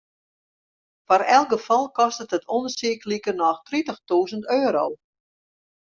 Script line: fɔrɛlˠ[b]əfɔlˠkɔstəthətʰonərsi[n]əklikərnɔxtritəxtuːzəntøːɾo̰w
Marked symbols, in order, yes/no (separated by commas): no, no